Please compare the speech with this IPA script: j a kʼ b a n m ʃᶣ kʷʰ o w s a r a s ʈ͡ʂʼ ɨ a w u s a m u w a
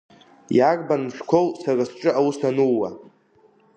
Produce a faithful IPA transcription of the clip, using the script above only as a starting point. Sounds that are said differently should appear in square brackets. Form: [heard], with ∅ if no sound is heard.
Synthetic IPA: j a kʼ b a n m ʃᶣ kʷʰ o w s a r a s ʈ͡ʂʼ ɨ a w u s a [n] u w a